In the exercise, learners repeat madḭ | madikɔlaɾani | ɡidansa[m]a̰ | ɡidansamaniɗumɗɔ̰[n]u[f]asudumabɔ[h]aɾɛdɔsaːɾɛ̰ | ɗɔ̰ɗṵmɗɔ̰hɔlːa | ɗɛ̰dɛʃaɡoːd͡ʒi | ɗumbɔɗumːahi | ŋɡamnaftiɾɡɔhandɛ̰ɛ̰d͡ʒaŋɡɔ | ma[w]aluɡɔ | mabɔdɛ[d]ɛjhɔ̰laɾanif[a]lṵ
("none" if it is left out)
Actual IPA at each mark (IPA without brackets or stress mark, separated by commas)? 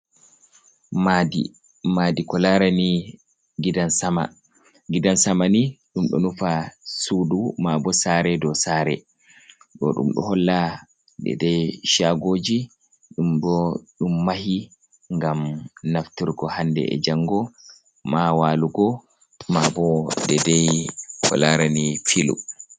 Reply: m, n, f, s, w, d, i